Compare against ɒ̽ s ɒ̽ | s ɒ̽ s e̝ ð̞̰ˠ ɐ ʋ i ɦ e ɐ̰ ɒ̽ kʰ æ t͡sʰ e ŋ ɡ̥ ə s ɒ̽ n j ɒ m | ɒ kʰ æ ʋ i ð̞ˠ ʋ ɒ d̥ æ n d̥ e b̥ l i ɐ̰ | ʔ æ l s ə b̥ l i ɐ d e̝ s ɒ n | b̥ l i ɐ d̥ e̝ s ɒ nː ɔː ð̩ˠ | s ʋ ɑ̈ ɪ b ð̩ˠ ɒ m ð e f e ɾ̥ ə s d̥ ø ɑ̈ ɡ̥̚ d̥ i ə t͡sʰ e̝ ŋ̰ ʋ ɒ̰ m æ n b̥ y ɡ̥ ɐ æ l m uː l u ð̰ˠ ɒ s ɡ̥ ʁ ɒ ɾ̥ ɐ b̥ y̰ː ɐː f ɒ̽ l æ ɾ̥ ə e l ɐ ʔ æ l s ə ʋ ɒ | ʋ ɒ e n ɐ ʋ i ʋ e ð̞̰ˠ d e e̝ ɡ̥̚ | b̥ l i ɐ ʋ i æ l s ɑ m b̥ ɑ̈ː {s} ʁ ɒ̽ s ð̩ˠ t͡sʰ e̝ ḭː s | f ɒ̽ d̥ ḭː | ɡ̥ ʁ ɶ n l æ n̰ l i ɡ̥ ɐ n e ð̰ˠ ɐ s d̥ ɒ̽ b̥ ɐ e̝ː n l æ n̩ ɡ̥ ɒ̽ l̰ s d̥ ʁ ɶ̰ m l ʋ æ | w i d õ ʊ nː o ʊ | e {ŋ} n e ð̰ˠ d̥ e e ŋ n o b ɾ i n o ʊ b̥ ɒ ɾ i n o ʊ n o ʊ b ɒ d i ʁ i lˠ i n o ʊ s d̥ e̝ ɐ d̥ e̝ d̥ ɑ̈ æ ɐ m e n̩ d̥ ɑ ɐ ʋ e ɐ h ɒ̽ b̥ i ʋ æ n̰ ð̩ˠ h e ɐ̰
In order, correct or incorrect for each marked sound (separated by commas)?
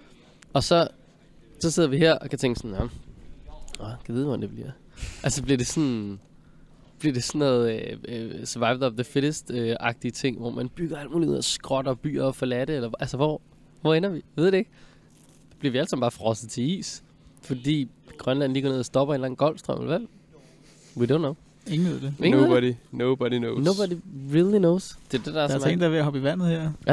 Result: incorrect, correct